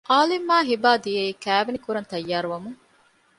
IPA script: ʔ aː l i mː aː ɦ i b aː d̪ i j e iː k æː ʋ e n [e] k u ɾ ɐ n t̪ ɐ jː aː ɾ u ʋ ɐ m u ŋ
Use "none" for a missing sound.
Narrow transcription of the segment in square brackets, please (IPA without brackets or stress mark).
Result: i